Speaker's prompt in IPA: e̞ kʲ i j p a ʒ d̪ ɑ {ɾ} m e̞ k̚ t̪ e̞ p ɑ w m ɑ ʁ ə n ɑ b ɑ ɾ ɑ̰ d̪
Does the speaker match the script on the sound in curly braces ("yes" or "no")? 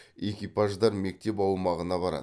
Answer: yes